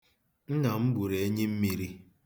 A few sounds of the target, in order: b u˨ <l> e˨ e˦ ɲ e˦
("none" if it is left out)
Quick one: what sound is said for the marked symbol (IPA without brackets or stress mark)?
ɾ